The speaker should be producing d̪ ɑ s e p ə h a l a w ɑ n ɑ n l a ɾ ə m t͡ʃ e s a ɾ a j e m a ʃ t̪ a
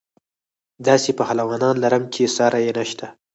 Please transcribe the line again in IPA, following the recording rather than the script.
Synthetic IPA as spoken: d̪ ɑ s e p ə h a l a w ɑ n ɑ n l a ɾ ə m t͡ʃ e s ɑ ɾ a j e n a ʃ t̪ a